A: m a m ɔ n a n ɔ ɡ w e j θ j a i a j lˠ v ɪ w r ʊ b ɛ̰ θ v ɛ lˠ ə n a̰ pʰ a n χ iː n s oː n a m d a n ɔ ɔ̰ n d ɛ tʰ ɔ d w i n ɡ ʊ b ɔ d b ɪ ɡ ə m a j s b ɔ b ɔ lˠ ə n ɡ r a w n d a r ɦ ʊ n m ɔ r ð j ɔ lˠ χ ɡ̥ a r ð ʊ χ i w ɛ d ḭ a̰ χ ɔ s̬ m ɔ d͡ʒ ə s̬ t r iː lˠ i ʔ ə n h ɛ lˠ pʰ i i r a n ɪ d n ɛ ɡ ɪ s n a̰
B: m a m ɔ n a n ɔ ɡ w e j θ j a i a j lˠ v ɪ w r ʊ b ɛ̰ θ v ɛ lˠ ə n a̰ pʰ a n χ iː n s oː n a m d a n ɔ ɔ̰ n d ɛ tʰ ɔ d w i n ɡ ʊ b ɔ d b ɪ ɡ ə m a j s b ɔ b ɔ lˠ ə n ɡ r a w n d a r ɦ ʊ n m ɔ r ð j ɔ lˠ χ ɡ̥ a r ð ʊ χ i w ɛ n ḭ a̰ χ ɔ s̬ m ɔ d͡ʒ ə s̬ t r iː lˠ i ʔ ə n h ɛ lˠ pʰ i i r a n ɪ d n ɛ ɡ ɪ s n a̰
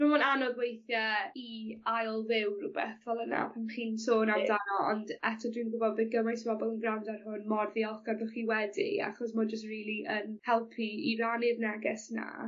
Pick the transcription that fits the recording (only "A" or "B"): A